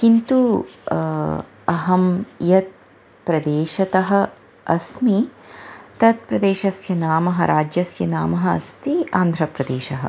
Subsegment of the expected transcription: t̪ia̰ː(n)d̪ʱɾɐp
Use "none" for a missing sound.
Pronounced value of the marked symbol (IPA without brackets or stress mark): n